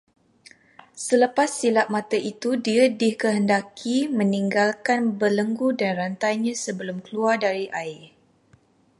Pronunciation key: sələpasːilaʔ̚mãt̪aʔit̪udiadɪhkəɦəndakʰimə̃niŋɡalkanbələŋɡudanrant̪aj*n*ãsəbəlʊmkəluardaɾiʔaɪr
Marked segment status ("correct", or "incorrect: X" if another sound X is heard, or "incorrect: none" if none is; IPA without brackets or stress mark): incorrect: ɲ